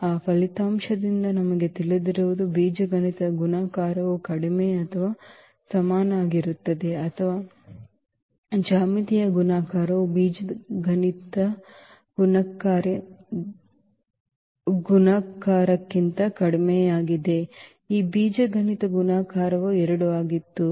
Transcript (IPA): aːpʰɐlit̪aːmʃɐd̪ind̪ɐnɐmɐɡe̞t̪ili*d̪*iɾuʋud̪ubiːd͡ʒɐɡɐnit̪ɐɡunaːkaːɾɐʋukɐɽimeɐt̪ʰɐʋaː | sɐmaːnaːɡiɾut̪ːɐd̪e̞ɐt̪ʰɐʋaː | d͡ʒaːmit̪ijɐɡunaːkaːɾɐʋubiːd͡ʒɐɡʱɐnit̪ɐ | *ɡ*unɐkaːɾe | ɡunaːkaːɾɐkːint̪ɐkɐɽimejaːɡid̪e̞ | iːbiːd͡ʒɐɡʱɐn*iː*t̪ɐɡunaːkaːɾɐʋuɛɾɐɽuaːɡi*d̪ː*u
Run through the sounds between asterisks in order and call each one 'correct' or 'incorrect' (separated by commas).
correct, correct, incorrect, incorrect